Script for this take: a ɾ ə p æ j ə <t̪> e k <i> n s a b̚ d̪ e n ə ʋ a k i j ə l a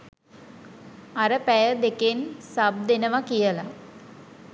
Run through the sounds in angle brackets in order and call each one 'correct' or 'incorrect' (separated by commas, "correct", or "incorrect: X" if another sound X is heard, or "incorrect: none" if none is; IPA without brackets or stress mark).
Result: incorrect: d̪, incorrect: e